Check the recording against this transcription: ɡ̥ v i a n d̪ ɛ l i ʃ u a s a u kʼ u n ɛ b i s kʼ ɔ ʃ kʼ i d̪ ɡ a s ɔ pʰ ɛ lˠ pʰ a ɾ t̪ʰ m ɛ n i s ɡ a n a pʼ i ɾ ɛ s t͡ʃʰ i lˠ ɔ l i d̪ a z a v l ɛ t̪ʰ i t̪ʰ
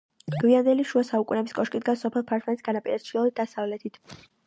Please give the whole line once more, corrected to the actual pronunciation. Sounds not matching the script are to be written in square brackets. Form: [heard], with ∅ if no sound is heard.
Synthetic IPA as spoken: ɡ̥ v i a n d̪ ɛ l i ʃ u a s a u kʼ u n ɛ b i s kʼ ɔ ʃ kʼ i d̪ ɡ a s ɔ pʰ ɛ lˠ pʰ a ɾ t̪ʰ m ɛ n i s ɡ a n a pʼ i ɾ ɛ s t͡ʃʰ i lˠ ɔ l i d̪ a [s] a v l ɛ t̪ʰ i t̪ʰ